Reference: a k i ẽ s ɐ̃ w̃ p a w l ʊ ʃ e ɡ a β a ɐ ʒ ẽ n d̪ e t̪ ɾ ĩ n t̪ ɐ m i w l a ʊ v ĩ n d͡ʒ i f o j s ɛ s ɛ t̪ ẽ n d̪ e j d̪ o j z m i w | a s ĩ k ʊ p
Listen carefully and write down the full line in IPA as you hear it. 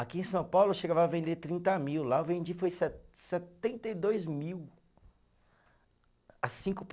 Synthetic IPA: a k i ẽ s ɐ̃ w̃ p a w l ʊ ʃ e ɡ a v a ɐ v ẽ n d̪ e t̪ ɾ ĩ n t̪ ɐ m i w l a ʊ v ẽ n d͡ʒ i f o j s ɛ s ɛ t̪ ẽ n t̪ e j d̪ o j z m i w | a s ĩ k ʊ p